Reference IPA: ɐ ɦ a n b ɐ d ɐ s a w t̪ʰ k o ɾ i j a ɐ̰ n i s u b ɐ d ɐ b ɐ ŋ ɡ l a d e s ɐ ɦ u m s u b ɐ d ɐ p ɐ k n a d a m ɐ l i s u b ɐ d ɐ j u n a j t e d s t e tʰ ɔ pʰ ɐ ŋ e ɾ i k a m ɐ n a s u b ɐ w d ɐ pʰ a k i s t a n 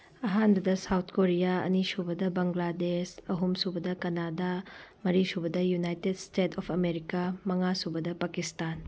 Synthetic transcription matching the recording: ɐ ɦ a n b ɐ d ɐ s a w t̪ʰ k o ɾ i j a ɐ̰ n i s u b ɐ d ɐ b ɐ ŋ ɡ l a d e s ɐ ɦ u m s u b ɐ d ɐ k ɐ n a d a m ɐ ɾ i s u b ɐ d ɐ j u n a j t e d s t e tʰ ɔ pʰ ɐ m e ɾ i k a m ɐ ŋ a s u b ɐ d ɐ p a k i s t a n